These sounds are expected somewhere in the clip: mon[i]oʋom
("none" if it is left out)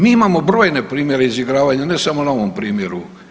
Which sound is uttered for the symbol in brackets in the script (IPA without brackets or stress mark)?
a